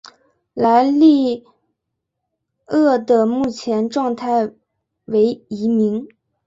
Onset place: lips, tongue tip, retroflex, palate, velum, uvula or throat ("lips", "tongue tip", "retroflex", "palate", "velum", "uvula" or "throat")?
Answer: tongue tip